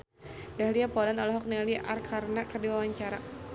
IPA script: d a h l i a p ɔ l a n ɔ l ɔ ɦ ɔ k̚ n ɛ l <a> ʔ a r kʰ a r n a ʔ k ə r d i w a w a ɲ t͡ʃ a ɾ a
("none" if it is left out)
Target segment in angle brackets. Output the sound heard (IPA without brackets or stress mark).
i